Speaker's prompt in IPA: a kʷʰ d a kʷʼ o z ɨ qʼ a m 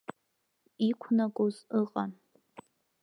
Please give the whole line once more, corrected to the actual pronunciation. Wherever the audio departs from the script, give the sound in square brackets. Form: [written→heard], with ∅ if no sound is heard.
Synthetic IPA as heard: [a→i] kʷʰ [d→n] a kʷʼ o z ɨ qʼ a [m→n]

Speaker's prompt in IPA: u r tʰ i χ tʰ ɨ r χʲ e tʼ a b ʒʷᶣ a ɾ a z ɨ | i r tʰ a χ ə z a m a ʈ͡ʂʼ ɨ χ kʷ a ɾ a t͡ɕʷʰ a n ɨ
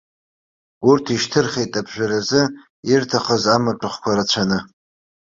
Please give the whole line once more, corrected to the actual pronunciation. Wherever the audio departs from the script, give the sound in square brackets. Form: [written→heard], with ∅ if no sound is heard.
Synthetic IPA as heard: u r tʰ i [χ→ʃ] tʰ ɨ r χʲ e tʼ a b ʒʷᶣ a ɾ a z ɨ | i r tʰ a χ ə z a m a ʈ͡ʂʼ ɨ χ kʷ a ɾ a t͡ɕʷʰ a n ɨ

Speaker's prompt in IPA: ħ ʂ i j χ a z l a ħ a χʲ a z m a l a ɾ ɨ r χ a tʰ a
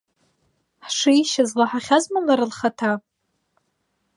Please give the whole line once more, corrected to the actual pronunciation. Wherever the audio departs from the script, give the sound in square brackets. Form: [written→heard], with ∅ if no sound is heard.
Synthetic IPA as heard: ħ ʂ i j [χ→ʃ] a z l a ħ a χʲ a z m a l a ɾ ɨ [r→l] χ a tʰ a

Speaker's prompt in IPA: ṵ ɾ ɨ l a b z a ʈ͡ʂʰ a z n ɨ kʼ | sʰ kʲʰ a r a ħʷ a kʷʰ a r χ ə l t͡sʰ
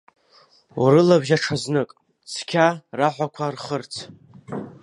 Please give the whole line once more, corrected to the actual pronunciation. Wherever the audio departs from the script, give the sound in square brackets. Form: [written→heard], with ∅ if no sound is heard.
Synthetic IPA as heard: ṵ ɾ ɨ l a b [z→ʒ] a ʈ͡ʂʰ a z n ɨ kʼ | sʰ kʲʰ a r a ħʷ a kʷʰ a r χ ə [l→r] t͡sʰ

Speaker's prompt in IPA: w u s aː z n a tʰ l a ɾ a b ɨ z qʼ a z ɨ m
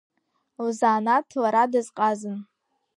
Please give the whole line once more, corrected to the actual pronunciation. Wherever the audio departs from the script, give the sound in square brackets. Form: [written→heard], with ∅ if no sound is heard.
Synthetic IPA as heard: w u [s→z] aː [z→∅] n a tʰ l a ɾ a [b→d] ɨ z qʼ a z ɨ [m→n]

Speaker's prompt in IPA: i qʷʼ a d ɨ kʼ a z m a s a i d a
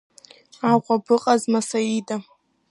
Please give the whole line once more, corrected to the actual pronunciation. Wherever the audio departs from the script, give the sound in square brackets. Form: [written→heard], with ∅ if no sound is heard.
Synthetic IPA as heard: [i→a] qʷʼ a [d→b] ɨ [kʼ→qʼ] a z m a s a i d a

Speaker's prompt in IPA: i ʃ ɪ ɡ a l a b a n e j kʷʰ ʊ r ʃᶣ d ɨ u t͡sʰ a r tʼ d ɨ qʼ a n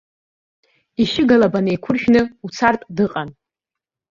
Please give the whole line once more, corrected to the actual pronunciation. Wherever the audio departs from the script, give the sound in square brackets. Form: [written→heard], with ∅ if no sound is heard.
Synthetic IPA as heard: i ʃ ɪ ɡ a l a b a n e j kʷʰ ʊ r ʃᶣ [d→n] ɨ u t͡sʰ a r tʼ d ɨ qʼ a n

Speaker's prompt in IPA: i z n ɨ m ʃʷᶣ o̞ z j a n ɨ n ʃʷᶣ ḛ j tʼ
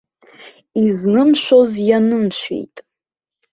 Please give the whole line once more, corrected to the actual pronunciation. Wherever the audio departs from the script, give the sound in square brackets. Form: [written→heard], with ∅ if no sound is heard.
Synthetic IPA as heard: i z n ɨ m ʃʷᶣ o̞ z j a n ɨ [n→m] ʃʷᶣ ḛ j tʼ

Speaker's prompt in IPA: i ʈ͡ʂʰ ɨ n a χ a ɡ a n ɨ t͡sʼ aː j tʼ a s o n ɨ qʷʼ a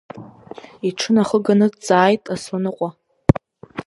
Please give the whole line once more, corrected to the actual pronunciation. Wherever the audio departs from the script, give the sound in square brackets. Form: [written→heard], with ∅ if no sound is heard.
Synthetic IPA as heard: i ʈ͡ʂʰ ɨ n a χ [a→ə] ɡ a n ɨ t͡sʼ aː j tʼ a s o n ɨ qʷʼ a

